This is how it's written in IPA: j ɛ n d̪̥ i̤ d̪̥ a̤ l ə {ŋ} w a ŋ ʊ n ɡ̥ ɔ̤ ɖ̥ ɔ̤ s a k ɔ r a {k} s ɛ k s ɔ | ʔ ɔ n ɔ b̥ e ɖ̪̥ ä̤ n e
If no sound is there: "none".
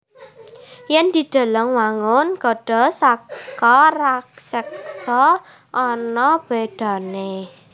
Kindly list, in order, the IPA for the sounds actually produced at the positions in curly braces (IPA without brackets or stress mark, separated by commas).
ŋ, k